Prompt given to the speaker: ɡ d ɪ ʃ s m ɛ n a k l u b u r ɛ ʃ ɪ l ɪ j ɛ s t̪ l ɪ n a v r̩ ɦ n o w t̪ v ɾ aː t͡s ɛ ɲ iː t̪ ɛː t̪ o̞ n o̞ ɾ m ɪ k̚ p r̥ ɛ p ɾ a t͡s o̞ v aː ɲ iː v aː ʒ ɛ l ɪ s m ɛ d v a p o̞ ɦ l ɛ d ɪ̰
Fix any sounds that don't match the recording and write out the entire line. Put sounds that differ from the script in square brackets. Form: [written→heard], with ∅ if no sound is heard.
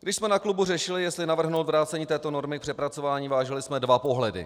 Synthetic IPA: ɡ d ɪ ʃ s m ɛ n a k l u b u r ɛ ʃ ɪ l ɪ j ɛ s t̪ l ɪ n a v r̩ ɦ n o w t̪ v ɾ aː t͡s ɛ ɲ iː t̪ ɛː t̪ o̞ n o̞ ɾ m ɪ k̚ p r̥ ɛ p ɾ a t͡s o̞ v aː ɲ iː v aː ʒ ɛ l ɪ s m ɛ d v a p o̞ ɦ l ɛ d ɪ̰